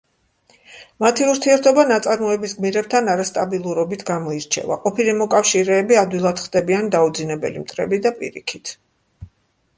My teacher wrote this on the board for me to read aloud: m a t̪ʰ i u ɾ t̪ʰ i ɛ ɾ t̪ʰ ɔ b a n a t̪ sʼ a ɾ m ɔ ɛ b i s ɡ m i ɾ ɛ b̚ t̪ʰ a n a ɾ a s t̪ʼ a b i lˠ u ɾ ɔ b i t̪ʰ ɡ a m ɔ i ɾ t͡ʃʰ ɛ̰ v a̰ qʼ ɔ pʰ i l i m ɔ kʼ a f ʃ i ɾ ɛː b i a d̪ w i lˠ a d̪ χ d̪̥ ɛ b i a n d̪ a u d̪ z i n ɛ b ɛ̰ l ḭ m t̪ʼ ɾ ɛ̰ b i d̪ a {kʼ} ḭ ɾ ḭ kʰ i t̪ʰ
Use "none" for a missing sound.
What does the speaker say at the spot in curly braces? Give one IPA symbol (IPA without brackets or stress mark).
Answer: pʼ